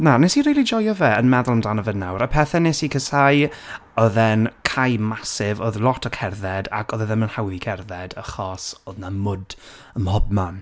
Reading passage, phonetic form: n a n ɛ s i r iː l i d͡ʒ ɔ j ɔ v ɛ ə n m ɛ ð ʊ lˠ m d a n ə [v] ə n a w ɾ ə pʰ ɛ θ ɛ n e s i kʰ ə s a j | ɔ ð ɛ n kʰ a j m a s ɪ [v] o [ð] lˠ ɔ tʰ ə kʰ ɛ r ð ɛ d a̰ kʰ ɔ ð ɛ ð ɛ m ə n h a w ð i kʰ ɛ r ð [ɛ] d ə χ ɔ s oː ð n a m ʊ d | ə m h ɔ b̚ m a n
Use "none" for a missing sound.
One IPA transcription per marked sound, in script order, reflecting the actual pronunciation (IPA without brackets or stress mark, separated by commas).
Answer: v, v, ð, ɛ